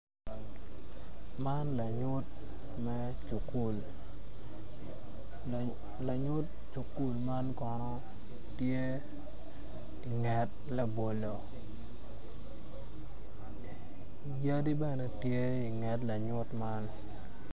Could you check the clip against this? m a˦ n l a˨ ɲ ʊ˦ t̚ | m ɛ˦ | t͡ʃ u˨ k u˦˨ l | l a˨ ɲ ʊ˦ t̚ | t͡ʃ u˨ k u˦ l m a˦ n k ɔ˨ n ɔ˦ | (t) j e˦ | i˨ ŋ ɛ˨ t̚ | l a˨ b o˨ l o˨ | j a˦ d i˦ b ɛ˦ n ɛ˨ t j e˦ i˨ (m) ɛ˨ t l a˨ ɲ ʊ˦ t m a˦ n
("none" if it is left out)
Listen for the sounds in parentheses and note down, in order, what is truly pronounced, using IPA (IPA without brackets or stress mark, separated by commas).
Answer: t, ŋ